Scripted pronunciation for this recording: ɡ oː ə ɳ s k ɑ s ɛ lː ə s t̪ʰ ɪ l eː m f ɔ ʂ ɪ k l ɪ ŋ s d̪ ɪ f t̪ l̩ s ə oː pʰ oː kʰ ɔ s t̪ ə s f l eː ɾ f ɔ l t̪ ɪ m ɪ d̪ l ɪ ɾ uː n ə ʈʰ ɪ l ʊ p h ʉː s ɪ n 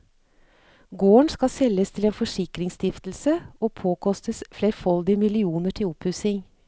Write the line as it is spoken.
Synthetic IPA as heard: ɡ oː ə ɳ s k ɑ s ɛ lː ə s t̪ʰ ɪ l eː n f ɔ ʂ ɪ k ɾ ɪ ŋ s t̪ ɪ f t̪ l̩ s ə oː pʰ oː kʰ ɔ s t̪ ə s f l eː ɾ f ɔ l d̪ ɪ m ɪ l ɪ uː n ə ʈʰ ɪ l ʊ p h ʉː s ɪ ŋ